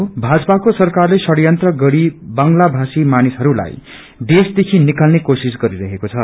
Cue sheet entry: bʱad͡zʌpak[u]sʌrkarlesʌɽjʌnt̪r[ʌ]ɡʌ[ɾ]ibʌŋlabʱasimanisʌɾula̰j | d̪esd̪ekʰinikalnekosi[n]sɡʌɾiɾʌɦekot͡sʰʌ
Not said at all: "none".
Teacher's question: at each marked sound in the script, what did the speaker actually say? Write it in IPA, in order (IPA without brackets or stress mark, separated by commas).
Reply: o, ʌ, ɽ, none